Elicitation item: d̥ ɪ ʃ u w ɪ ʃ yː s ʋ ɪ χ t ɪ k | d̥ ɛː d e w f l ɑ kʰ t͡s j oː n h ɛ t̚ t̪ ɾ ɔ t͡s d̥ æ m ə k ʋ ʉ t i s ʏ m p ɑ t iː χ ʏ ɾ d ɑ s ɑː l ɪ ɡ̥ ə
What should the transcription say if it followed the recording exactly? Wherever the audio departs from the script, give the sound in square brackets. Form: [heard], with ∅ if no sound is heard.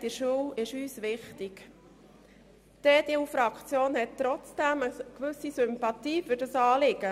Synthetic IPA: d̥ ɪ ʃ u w ɪ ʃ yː s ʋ ɪ χ t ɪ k | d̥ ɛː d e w f [ɾ] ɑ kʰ t͡s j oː n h ɛ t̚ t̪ ɾ ɔ t͡s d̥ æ m ə k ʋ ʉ [s] i s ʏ m p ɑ t iː [f] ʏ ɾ d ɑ s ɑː l ɪ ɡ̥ ə